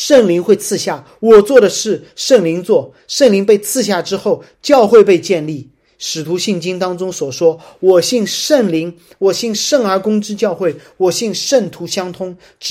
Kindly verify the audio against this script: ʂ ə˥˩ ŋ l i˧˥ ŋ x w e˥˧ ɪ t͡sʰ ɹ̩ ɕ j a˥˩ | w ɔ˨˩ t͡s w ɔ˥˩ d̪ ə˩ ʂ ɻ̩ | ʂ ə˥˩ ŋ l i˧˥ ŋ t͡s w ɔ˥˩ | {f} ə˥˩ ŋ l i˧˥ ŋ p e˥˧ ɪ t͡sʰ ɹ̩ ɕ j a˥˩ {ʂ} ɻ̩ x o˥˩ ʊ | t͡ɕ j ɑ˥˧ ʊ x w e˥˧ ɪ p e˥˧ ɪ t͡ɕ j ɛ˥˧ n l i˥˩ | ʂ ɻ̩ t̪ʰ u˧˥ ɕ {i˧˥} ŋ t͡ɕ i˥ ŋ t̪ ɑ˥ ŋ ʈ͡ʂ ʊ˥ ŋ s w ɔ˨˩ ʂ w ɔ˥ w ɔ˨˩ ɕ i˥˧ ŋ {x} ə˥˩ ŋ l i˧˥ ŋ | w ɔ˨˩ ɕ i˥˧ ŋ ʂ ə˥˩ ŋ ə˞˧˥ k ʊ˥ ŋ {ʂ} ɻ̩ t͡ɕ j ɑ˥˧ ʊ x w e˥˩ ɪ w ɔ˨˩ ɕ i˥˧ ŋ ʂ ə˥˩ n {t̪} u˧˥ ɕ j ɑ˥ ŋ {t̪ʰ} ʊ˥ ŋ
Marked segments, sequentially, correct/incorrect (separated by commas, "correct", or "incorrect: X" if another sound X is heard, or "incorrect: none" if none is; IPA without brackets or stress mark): incorrect: ʂ, incorrect: ʈ͡ʂ, incorrect: i˥˩, incorrect: ʂ, incorrect: ʈ͡ʂ, incorrect: t̪ʰ, correct